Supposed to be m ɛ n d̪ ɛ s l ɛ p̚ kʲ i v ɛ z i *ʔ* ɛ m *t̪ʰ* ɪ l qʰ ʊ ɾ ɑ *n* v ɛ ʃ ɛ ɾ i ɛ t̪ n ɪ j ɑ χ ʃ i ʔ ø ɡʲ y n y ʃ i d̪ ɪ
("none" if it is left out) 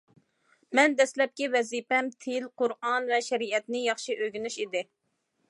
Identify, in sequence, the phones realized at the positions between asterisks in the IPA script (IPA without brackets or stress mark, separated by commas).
p, t̪ʰ, n